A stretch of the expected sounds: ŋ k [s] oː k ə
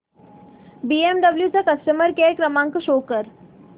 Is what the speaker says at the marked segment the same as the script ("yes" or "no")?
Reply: no